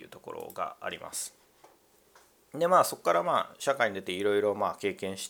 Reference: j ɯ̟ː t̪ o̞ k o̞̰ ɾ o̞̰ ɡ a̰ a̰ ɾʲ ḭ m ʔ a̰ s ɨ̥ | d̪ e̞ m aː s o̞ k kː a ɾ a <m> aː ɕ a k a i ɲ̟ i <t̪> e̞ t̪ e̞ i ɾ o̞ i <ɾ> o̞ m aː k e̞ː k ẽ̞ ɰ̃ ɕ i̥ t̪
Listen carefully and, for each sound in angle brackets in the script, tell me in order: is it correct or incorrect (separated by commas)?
correct, incorrect, correct